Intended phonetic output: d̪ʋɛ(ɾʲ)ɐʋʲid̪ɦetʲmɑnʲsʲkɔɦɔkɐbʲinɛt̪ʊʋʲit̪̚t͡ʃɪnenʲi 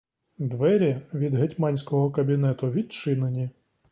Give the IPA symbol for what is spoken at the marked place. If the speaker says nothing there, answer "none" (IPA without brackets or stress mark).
ɾʲ